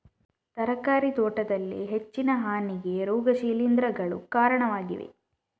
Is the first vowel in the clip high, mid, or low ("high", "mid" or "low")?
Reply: low